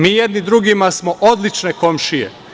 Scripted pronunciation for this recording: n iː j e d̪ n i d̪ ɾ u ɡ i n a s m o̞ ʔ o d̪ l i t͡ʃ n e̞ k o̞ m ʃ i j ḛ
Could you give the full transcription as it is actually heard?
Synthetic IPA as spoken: m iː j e d̪ n i d̪ ɾ u ɡ i m a s m o̞ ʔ o d̪ l i t͡ʃ n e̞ k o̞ m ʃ i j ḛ

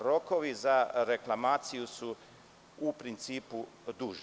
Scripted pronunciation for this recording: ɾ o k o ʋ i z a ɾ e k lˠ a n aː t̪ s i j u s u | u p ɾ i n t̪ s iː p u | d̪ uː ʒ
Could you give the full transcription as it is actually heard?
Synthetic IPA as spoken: ɾ o k o ʋ i z a ɾ e k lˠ a m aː t̪ s i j u s u | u p ɾ i n t̪ s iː p u | d̪ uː ʒ

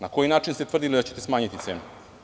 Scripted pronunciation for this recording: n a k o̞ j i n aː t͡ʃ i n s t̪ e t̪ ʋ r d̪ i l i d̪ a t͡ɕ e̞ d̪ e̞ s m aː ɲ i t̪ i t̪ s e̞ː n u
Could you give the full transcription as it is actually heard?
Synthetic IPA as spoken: n a k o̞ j i n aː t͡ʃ i n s t̪ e t̪ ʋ r d̪ i l i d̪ a t͡ɕ e̞ t̪ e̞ s m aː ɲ i t̪ i t̪ s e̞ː n u

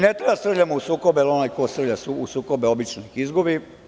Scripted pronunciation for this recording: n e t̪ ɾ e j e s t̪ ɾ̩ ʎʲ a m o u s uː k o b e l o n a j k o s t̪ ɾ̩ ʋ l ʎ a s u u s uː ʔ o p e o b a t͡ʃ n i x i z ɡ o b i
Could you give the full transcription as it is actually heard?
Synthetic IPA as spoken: n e t̪ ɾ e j a s t̪ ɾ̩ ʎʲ a m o u s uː k o b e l o n a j k o s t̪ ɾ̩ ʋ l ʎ a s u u s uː k o b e o b i t͡ʃ n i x i z ɡ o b i

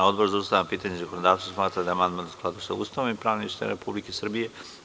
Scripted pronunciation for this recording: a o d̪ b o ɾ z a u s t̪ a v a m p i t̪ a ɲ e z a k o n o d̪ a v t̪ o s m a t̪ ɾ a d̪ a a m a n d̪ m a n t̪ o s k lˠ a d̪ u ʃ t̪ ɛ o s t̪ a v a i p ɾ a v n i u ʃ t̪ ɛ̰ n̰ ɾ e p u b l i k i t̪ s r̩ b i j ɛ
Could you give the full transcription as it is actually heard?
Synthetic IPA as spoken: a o d̪ b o ɾ z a u s t̪ a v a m p i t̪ a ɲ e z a k o n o d̪ a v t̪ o s m a t̪ ɾ a d̪ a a m a n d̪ m a n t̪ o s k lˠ a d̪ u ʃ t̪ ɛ u s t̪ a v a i p ɾ a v n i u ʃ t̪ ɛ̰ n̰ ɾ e p u b l i k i s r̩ b i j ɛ

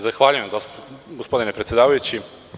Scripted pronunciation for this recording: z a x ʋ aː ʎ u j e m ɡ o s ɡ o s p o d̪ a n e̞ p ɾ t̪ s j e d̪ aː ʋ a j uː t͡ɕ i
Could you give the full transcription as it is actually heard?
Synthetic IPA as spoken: z a x ʋ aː ʎ u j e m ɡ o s ɡ o s p o d̪ i n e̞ p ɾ t̪ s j e d̪ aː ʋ a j u t͡ɕ i

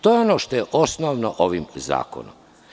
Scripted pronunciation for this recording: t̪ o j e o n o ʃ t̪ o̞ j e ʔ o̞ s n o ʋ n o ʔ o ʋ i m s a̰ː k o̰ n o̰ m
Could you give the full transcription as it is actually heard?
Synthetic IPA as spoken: t̪ o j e o n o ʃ t̪ o̞ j e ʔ o̞ s n o ʋ n o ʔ o ʋ i m z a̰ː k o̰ n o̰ m

